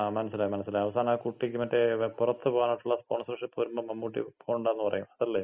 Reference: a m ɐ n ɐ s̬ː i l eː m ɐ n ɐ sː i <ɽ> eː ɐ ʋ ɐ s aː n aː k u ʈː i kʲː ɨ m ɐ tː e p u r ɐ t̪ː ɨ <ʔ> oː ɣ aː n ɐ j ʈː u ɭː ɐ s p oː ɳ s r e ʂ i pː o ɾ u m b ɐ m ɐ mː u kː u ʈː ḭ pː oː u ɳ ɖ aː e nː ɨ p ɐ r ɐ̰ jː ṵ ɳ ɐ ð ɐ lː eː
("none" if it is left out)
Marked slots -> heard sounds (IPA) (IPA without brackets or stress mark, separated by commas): l, p